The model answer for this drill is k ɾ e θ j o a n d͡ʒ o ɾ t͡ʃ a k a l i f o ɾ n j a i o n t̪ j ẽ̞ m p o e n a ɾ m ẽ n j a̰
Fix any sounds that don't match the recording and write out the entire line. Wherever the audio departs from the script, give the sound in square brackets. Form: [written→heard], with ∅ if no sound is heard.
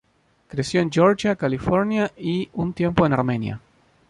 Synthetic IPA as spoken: k ɾ e [θ→s] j o [a→e] n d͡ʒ o ɾ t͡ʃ a k a l i f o ɾ n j a i [o→u] n t̪ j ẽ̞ m p o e n a ɾ m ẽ n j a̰